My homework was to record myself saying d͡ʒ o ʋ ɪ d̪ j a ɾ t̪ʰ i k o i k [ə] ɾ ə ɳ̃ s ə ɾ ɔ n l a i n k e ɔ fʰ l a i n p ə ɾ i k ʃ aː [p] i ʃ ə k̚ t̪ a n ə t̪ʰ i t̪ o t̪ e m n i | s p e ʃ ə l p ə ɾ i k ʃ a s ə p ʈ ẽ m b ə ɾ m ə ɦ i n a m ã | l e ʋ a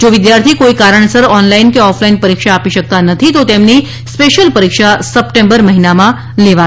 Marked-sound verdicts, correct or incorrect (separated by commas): incorrect, correct